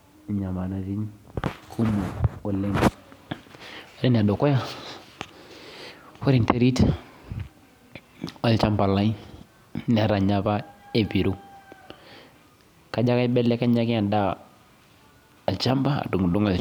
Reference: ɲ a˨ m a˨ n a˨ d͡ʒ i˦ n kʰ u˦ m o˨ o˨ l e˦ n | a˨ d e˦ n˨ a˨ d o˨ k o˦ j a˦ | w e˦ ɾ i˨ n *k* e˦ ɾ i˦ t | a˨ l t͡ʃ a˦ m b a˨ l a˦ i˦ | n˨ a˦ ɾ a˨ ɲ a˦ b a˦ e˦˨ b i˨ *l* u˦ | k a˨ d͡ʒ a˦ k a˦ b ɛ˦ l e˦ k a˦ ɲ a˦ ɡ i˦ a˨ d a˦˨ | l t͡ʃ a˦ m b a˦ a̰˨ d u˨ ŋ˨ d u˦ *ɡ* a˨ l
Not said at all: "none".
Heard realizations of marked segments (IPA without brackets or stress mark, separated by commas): t, ɾ, ŋ